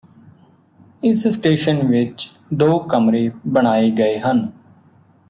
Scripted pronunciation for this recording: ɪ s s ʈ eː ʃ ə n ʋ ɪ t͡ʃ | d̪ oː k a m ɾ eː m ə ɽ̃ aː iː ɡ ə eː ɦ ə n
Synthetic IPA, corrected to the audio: ɪ s s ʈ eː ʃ ə n ʋ ɪ t͡ʃ | d̪ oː k ə m ɾ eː b ə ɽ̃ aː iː ɡ ə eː ɦ ə n